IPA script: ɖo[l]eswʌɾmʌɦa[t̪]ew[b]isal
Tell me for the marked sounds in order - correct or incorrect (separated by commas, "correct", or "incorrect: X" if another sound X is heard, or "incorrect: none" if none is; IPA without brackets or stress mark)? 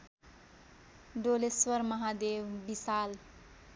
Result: correct, incorrect: d̪, correct